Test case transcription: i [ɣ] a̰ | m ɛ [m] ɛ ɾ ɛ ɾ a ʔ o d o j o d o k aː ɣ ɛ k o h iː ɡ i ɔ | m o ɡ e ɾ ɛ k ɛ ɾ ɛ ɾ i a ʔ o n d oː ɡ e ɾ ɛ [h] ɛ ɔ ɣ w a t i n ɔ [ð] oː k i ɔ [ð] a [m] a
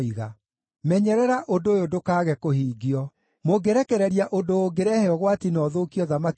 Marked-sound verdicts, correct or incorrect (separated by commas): correct, incorrect, correct, correct, correct, correct